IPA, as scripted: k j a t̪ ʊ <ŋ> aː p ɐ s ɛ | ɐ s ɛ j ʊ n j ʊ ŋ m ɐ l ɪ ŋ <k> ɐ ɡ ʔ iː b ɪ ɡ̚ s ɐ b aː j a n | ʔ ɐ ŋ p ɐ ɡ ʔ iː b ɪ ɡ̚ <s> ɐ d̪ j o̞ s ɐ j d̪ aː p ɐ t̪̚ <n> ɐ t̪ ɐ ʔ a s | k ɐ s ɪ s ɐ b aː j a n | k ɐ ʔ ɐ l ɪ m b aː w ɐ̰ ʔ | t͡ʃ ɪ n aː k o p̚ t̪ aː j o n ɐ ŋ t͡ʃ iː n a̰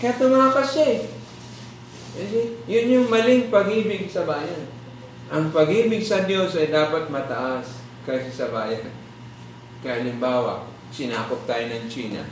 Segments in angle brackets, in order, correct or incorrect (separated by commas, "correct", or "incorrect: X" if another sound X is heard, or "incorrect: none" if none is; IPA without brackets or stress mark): incorrect: m, incorrect: p, correct, incorrect: m